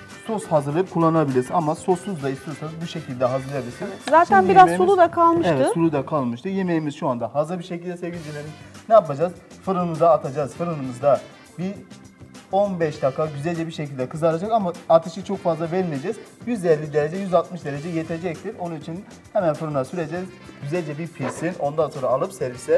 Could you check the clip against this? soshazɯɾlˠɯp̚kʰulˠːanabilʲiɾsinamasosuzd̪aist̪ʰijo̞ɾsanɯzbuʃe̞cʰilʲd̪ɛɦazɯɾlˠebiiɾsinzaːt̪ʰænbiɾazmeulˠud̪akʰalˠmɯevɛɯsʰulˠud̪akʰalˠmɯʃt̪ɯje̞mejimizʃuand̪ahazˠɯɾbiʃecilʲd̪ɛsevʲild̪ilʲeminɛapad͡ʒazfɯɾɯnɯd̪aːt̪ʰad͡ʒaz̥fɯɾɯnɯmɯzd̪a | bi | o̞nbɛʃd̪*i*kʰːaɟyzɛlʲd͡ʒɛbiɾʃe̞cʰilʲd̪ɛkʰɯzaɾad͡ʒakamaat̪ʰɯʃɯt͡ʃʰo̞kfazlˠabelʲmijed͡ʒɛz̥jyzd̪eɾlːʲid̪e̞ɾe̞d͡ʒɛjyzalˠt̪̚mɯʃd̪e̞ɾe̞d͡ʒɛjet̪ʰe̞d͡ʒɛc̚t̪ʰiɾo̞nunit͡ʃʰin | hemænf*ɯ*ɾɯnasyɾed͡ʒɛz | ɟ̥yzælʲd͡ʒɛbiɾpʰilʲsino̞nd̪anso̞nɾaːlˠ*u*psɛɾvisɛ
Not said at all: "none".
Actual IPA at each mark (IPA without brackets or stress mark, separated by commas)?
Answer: a, ɯ, ɯ